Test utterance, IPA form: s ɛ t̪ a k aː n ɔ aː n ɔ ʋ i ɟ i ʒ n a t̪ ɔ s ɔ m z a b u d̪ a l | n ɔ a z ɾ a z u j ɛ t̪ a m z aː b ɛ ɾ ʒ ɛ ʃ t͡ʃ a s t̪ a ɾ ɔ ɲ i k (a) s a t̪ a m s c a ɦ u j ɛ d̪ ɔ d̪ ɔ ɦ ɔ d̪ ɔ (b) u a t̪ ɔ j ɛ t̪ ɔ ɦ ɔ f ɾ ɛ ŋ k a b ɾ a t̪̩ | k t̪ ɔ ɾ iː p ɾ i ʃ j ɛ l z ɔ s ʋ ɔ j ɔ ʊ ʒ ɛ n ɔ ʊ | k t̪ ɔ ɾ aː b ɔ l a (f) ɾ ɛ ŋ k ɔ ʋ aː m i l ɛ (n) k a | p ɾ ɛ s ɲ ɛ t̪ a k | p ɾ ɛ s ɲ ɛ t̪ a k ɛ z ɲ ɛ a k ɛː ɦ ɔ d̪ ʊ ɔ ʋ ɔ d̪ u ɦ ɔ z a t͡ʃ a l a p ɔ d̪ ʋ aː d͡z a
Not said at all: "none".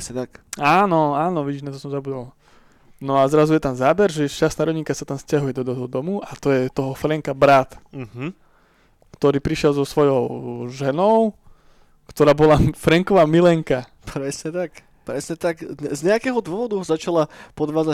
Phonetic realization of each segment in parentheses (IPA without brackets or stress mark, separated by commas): a, m, f, ŋ